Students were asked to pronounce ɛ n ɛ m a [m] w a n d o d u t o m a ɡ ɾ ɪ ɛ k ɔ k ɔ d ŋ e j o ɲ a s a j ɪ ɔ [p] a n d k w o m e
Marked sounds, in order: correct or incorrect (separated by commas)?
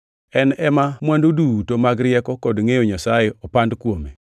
correct, correct